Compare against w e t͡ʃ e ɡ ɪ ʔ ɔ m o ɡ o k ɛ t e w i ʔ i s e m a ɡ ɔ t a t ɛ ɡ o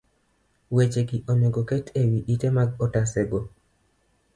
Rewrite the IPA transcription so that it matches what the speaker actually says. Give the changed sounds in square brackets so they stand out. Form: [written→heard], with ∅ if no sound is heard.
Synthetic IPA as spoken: w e t͡ʃ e ɡ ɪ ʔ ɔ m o ɡ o k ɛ t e w i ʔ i [s→t] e m a ɡ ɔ t a [t→s] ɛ ɡ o